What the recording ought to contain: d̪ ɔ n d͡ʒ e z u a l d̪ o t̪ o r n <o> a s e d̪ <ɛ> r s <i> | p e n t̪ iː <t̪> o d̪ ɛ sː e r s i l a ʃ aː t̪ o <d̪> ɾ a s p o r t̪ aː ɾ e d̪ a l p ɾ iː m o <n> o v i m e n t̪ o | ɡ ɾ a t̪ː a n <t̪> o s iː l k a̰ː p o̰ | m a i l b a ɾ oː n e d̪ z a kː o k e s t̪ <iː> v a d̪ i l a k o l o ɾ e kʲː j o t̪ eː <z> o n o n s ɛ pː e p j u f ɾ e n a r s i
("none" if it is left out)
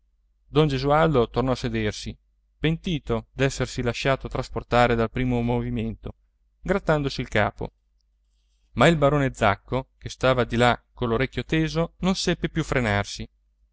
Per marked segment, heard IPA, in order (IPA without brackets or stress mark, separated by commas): ɔ, e, i, t̪, t̪, m, d̪, aː, z